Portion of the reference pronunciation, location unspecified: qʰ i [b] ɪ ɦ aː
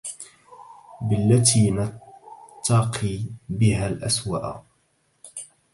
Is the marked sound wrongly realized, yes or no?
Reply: no